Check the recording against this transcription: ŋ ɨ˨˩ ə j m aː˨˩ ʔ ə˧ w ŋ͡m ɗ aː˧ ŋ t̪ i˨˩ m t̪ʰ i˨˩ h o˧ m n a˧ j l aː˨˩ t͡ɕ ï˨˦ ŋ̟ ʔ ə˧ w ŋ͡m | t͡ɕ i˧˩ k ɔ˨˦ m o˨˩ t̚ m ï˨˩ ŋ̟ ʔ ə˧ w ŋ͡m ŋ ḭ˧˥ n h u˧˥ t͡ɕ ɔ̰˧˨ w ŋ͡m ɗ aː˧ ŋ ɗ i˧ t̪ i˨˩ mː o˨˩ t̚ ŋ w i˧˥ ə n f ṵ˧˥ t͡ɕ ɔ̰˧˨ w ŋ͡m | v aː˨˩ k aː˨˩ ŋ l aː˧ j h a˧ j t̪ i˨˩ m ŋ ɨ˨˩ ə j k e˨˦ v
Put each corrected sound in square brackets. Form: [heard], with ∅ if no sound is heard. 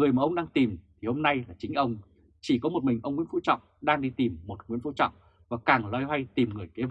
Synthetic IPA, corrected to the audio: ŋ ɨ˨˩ ə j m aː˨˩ ʔ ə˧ w ŋ͡m ɗ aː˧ ŋ t̪ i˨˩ m t̪ʰ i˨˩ h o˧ m n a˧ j l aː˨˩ t͡ɕ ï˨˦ ŋ̟ ʔ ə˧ w ŋ͡m | t͡ɕ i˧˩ k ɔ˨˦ m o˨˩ t̚ m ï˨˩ ŋ̟ ʔ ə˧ w ŋ͡m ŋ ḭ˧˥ n [f] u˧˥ t͡ɕ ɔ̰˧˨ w ŋ͡m ɗ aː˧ ŋ ɗ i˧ t̪ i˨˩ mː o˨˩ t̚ ŋ w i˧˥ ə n f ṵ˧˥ t͡ɕ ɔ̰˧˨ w ŋ͡m | v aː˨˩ k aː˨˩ ŋ l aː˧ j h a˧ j t̪ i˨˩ m ŋ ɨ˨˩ ə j k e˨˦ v